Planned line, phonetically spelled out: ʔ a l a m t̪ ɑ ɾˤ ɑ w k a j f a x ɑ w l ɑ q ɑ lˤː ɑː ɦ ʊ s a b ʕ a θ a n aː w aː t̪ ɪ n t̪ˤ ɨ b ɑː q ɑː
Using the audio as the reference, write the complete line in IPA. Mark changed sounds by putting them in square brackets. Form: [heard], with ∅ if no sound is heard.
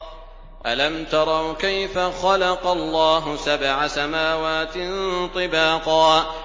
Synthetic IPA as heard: ʔ a l a m t̪ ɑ ɾˤ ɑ w k a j f a x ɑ [∅] l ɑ q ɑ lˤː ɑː ɦ ʊ s a b ʕ a [s] a [m] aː w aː t̪ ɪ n t̪ˤ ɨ b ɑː q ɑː